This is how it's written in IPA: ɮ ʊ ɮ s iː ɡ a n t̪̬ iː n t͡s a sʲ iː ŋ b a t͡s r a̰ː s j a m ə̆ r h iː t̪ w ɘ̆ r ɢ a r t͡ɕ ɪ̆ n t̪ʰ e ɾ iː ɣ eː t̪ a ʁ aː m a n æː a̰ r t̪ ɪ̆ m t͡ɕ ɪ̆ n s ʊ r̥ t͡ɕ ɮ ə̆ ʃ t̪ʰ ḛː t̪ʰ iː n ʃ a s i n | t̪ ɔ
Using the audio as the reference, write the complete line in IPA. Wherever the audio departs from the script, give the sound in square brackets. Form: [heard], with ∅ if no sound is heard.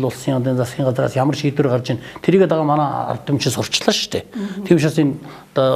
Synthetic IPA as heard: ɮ ʊ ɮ s iː [ŋ] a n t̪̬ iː n t͡s a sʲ iː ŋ [ɢ] a t͡s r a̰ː s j a m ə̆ r [ʃ] iː t̪ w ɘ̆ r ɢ a r t͡ɕ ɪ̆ n t̪ʰ e ɾ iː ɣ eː t̪ a ʁ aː m a n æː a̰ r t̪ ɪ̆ m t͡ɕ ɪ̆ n s ʊ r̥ t͡ɕ ɮ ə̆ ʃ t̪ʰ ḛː t̪ʰ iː [m] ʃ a s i n | t̪ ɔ